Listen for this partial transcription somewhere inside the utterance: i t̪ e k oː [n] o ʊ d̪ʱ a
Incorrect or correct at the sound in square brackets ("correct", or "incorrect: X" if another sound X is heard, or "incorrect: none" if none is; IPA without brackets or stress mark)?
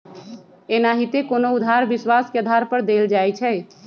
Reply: correct